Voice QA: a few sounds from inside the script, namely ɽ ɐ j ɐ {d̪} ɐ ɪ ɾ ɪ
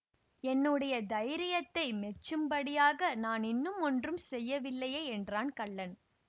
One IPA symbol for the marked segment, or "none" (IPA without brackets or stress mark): d̪